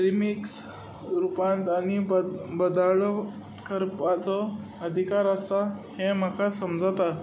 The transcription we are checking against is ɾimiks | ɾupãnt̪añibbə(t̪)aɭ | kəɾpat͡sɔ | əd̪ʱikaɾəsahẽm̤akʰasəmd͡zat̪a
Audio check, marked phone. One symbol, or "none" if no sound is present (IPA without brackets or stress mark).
d̪